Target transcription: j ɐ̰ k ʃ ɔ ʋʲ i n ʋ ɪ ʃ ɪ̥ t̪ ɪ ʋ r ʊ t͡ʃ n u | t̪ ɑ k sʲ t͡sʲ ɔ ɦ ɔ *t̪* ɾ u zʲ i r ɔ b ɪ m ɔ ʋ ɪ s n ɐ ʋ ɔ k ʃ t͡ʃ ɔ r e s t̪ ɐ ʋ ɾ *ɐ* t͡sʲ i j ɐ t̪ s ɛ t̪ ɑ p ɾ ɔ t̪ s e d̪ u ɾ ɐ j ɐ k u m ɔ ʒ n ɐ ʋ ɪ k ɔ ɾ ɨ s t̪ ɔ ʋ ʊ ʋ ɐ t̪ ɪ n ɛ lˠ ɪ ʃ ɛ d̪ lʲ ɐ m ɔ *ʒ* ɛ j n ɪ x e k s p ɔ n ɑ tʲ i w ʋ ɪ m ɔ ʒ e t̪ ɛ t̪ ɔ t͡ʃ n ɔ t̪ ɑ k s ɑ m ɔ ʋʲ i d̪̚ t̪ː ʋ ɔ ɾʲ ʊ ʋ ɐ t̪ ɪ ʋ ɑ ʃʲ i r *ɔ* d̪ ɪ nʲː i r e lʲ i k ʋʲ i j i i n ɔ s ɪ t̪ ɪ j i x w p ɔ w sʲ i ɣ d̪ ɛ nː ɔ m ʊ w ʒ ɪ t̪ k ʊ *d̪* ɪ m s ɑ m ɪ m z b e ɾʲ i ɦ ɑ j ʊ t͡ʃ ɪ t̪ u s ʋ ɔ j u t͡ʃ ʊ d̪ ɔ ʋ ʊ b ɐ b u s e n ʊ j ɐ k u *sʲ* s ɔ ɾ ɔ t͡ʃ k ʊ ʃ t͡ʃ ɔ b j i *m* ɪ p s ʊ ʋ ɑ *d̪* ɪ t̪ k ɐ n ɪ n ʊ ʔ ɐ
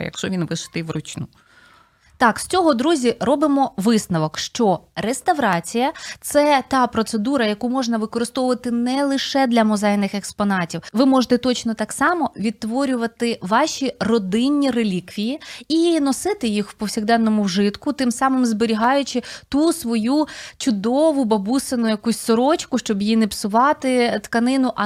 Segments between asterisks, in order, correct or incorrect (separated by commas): incorrect, incorrect, incorrect, correct, incorrect, correct, incorrect, incorrect